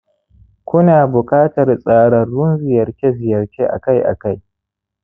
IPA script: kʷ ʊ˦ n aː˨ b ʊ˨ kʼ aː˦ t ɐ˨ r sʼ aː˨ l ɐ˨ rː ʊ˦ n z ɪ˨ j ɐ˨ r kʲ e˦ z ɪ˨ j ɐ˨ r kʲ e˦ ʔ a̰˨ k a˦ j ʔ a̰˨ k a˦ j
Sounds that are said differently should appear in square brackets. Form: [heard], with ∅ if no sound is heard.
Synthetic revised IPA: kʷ ʊ˦ n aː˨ b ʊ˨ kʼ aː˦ t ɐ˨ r sʼ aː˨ [ɽ] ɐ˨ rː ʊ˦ n z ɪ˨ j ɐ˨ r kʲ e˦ z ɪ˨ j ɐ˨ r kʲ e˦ ʔ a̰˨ k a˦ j ʔ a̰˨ k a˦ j